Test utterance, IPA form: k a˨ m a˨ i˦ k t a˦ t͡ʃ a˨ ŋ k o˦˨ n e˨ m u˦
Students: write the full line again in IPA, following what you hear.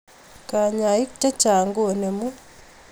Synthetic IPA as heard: k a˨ ɲ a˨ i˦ k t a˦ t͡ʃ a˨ ŋ ɡ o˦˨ n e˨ m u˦